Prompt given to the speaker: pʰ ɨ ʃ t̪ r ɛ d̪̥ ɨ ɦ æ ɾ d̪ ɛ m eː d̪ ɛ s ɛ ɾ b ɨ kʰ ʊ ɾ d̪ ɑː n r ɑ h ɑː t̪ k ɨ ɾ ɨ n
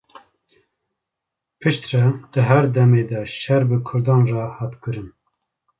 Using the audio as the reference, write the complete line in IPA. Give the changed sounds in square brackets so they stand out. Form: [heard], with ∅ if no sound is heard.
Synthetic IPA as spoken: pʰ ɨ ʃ t̪ r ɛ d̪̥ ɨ ɦ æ ɾ d̪ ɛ m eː d̪ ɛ [ʃ] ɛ ɾ b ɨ kʰ ʊ ɾ d̪ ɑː n r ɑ h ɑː t̪ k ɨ ɾ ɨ n